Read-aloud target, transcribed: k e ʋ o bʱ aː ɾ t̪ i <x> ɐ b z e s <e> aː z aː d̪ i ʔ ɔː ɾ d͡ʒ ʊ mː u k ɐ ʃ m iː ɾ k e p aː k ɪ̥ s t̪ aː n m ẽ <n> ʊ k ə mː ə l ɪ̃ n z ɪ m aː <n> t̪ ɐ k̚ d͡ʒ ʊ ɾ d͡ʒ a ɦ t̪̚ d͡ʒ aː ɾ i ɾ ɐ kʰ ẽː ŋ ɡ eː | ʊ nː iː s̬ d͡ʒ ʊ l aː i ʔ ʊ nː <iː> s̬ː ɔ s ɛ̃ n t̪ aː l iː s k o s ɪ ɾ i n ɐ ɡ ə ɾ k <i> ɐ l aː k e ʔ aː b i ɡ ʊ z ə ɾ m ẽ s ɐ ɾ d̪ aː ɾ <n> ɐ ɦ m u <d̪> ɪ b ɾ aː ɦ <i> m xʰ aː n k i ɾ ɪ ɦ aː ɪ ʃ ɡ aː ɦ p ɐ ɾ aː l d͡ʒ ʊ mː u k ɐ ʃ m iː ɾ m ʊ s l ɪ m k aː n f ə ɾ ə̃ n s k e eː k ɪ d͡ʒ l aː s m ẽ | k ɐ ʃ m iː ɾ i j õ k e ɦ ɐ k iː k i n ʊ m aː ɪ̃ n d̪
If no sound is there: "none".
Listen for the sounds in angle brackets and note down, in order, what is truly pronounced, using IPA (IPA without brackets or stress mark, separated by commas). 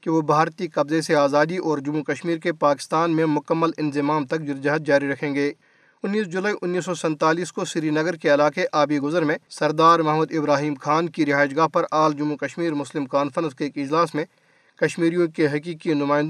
k, e, m, m, iː, e, m, d̪, iː